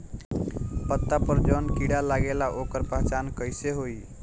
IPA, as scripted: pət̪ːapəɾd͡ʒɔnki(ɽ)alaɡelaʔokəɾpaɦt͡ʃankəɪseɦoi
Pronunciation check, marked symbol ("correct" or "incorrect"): correct